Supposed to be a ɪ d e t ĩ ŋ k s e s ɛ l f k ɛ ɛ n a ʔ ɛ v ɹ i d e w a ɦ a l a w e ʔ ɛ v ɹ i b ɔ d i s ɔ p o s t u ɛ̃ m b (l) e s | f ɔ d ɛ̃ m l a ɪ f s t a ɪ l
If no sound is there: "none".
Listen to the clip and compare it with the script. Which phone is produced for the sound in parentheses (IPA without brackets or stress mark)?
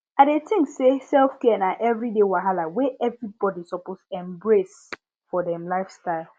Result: ɹ